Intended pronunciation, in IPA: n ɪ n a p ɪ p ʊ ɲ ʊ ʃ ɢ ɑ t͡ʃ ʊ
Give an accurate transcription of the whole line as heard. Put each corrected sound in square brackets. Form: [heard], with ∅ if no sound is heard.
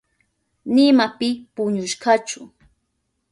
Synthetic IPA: n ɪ [m] a p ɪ p ʊ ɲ ʊ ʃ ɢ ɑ t͡ʃ ʊ